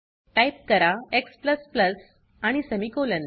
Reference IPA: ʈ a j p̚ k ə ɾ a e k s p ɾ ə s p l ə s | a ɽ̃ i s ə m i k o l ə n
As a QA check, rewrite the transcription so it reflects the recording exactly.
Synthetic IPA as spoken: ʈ a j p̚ k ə ɾ a e k s p l ə s p l ə s | a ɽ̃ i s ə m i k o l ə n